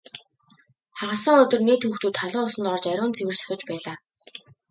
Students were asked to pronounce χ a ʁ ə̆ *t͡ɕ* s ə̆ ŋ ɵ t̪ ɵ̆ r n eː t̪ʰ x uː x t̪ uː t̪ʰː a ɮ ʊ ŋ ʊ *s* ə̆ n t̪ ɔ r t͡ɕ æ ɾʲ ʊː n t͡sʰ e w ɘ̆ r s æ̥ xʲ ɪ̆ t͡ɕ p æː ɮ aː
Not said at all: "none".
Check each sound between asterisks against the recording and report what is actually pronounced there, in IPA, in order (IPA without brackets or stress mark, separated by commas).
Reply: none, s